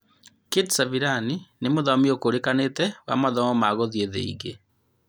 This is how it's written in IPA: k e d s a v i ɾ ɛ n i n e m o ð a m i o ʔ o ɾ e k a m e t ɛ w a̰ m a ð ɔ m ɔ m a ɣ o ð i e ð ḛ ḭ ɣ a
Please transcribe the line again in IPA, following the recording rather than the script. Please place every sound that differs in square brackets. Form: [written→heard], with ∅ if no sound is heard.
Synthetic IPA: k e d s a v i ɾ [ɛ→a] n i n e m o ð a m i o [ʔ→k] o ɾ e k a [m→n] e t ɛ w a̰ m a ð ɔ m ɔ m a ɣ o ð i e ð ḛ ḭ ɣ [a→e]

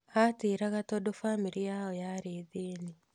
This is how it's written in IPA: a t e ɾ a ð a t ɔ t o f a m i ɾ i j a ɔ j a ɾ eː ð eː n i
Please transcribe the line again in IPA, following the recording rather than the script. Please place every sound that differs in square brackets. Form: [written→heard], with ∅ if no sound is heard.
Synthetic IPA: a t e ɾ a [ð→ɣ] a t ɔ [t→d] o f a m i ɾ i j a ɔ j a ɾ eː ð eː n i

